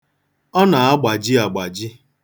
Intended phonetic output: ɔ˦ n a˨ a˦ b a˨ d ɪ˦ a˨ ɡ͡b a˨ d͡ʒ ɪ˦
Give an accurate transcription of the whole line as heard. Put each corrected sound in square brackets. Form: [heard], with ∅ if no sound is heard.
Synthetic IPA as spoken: ɔ˦ n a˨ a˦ [ɡ͡b] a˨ [d͡ʒ] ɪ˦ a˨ ɡ͡b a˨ d͡ʒ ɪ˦